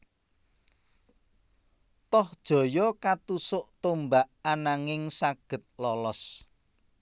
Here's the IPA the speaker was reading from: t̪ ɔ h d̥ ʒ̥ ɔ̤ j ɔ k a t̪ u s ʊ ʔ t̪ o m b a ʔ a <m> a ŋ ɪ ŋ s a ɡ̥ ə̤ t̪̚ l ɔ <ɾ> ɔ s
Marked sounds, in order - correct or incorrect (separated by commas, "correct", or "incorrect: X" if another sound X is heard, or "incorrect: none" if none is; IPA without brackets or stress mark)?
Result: incorrect: n, incorrect: l